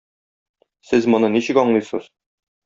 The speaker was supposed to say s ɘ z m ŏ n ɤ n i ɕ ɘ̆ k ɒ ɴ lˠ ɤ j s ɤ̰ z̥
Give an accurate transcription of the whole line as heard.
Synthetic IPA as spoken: s ɘ z m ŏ n ɤ n i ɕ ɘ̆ k ɒ ɴ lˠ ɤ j s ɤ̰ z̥